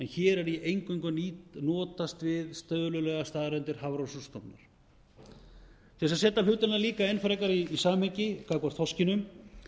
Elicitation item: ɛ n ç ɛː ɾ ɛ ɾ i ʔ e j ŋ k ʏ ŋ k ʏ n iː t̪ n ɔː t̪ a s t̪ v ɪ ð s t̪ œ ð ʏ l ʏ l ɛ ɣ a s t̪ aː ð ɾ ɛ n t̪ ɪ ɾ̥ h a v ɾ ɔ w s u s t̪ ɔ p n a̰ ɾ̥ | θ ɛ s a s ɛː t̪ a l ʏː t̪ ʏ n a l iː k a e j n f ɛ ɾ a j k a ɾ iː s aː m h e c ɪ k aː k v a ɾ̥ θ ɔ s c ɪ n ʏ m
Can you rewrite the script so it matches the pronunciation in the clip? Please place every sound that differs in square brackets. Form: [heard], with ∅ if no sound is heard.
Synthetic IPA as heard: ɛ n ç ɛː ɾ ɛ ɾ i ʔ e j ŋ k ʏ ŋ k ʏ n iː t̪ n ɔː t̪ a s t̪ v ɪ ð s t̪ œ ð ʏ l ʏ l ɛ ɣ a s t̪ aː ð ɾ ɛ n t̪ ɪ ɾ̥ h a v ɾ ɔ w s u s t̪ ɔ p n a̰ ɾ̥ | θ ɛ s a s ɛː t̪ a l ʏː t̪ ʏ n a l iː k a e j n f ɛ ɾ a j k a ɾ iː s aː m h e c ɪ k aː k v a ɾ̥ θ ɔ s c ɪ n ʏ m